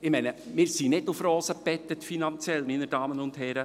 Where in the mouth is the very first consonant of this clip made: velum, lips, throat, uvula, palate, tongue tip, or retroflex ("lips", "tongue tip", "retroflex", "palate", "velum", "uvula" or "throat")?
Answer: lips